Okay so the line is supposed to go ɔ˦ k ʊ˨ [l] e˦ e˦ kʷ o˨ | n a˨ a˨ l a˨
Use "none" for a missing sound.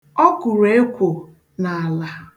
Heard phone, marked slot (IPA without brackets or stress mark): ɾ